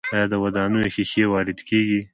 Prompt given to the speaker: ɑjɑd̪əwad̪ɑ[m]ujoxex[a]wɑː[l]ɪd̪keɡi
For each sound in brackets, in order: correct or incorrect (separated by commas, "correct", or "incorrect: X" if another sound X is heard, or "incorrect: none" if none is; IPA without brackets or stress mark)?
incorrect: n, incorrect: e, incorrect: ɾ